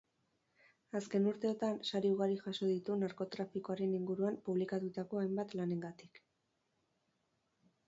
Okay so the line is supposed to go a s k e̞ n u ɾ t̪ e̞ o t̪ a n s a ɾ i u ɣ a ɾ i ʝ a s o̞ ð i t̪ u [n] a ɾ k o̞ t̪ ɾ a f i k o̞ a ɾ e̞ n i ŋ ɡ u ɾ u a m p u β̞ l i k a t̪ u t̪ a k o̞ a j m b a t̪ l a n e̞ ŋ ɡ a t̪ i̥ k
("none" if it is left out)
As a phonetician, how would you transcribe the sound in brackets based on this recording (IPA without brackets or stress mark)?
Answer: n